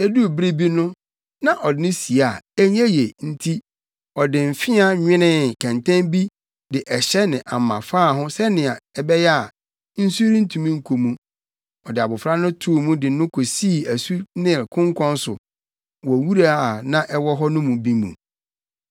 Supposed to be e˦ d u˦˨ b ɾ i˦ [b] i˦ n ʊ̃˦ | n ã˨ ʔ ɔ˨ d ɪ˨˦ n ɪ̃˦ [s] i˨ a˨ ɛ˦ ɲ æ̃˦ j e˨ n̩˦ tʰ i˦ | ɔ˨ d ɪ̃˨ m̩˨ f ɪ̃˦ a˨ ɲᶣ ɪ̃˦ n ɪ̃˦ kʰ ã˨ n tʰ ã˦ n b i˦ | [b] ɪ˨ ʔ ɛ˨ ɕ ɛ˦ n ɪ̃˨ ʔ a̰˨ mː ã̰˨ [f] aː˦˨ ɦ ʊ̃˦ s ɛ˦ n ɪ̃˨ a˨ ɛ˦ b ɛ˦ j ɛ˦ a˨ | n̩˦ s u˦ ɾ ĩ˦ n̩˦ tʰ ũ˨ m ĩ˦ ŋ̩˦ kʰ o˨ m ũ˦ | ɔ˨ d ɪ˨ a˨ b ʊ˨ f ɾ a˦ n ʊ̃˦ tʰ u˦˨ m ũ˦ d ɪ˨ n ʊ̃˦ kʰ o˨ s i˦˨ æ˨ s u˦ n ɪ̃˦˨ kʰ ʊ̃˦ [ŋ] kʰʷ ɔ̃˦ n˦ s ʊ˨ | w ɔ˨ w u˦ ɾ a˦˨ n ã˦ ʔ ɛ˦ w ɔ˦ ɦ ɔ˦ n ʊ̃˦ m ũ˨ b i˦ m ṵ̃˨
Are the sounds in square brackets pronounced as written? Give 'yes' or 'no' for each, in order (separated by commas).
yes, yes, no, yes, yes